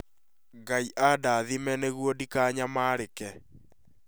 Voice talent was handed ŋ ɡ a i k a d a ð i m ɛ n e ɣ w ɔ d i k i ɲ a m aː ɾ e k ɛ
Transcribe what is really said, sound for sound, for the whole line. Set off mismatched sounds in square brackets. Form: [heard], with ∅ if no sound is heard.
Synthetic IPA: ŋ ɡ a i [ʔ] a d a ð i m ɛ n e ɣ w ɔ d i k [a] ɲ a m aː ɾ e k ɛ